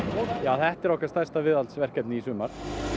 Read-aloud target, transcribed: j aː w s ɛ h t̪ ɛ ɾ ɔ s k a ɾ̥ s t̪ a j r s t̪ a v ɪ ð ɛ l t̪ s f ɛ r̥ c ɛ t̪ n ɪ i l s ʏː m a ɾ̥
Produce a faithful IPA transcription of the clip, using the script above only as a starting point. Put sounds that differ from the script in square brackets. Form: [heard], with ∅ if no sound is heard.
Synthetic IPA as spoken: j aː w [θ] ɛ h t̪ ɛ ɾ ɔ [h] k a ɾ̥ s t̪ a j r s t̪ a v ɪ ð [a] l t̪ s [v] ɛ r̥ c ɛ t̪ n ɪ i [∅] s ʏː m a ɾ̥